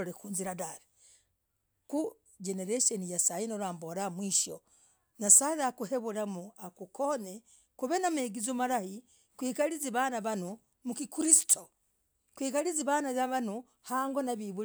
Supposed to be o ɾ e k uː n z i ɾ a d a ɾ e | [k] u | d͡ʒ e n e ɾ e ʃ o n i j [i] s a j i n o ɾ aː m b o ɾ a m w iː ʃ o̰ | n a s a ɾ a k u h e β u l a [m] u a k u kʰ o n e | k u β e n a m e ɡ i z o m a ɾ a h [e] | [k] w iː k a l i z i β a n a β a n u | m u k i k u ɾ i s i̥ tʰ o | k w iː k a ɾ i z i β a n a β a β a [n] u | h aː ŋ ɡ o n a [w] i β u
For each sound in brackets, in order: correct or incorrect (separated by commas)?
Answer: correct, incorrect, correct, incorrect, correct, correct, incorrect